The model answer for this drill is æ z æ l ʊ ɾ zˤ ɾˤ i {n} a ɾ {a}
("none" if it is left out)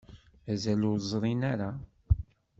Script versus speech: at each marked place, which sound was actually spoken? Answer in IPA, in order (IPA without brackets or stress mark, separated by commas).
n, a